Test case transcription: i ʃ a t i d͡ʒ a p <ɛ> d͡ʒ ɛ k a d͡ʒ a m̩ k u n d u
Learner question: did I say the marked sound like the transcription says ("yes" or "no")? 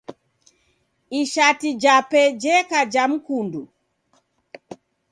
yes